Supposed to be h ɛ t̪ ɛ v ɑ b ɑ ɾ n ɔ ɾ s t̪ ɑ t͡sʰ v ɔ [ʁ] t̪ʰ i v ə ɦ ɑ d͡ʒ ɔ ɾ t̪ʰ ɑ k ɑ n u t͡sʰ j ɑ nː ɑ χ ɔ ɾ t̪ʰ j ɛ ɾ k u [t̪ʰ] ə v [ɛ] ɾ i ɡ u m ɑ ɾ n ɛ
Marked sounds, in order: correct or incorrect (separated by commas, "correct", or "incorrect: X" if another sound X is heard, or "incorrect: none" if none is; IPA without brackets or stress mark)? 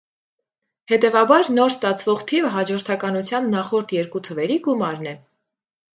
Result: correct, correct, correct